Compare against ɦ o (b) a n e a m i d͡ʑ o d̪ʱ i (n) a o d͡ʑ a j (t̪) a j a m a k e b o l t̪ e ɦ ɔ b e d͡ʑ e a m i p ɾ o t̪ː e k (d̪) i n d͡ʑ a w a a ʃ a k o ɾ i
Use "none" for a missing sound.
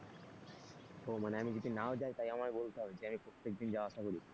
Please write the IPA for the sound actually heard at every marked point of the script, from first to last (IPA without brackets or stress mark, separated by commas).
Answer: m, n, t̪, d̪